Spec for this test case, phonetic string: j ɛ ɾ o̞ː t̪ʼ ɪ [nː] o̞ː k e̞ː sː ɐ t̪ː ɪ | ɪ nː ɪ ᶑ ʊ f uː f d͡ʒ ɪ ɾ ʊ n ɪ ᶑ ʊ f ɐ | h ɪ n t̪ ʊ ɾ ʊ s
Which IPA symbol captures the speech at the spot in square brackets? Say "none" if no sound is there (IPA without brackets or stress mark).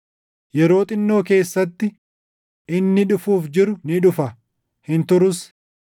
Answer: nː